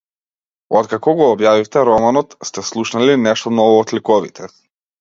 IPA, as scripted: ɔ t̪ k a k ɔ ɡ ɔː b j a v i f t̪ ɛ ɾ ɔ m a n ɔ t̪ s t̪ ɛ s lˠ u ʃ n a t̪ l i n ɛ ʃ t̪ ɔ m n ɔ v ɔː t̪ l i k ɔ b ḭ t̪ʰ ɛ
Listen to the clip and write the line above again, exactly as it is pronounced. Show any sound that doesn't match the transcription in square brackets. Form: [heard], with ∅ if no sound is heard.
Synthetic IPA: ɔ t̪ k a k ɔ ɡ ɔː b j a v i f t̪ ɛ ɾ ɔ m a n ɔ t̪ s t̪ ɛ s lˠ u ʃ n a [∅] l i n ɛ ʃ t̪ ɔ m n ɔ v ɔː t̪ l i k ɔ [v] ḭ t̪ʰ ɛ